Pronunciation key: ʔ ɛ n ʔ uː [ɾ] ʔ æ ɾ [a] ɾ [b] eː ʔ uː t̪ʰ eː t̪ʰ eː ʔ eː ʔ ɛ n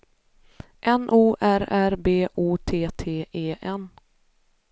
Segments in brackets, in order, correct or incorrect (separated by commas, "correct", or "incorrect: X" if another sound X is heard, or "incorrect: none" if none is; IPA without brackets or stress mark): incorrect: none, incorrect: æ, correct